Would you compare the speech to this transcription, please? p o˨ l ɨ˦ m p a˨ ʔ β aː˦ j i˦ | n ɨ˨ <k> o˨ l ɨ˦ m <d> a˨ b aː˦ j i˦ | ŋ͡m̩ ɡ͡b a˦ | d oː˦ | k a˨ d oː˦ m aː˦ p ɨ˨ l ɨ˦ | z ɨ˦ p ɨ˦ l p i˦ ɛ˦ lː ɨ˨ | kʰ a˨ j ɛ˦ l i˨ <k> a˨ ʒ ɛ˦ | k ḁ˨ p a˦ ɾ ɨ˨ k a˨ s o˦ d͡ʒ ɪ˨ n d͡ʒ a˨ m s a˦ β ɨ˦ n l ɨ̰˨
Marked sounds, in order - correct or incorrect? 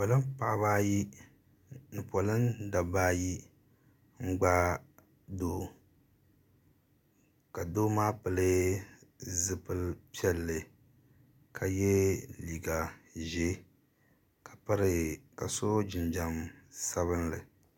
incorrect: p, correct, incorrect: ɡ

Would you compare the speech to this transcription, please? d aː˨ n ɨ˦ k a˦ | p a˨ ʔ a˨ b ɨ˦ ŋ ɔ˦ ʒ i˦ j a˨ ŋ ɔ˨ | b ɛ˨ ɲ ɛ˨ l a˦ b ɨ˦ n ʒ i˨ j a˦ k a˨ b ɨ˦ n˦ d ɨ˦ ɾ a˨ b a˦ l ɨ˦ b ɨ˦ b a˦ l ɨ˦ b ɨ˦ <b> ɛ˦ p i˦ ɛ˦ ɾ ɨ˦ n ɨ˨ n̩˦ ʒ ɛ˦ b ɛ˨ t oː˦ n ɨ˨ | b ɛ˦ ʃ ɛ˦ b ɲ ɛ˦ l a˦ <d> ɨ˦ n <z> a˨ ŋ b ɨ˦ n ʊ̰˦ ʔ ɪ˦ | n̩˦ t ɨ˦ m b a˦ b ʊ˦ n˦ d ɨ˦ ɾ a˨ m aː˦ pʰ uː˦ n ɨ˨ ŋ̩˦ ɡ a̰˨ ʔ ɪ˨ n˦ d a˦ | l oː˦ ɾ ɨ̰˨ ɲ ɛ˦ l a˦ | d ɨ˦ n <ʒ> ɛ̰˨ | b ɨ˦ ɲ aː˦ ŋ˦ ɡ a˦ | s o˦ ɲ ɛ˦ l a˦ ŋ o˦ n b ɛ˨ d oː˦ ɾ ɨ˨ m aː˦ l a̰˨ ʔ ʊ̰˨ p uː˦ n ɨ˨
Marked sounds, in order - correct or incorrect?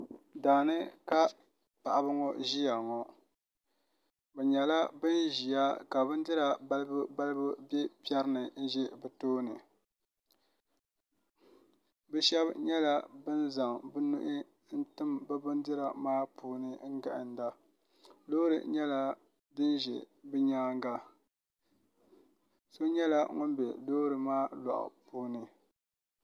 correct, incorrect: b, correct, correct

